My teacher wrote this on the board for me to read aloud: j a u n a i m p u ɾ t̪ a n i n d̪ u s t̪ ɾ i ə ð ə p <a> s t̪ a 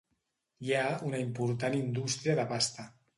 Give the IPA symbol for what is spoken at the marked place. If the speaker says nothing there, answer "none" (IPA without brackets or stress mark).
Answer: a